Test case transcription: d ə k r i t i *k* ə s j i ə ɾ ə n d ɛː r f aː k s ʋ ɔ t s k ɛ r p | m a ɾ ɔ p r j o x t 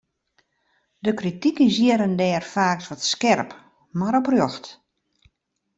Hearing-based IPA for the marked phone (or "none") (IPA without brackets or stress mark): k